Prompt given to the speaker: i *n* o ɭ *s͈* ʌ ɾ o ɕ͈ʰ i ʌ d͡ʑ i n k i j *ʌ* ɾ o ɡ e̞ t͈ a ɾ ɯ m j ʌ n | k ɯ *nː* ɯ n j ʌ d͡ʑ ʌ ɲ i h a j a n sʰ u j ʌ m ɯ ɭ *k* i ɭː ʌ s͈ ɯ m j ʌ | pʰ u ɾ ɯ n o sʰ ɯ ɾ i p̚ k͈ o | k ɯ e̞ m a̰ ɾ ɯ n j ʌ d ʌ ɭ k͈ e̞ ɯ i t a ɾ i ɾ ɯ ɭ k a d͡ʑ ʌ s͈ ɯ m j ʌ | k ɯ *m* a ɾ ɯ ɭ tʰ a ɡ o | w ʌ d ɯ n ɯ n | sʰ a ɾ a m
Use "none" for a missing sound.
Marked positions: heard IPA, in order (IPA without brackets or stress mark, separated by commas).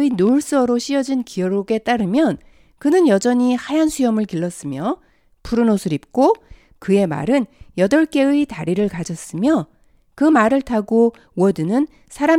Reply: n, s͈, ʌ, n, k, m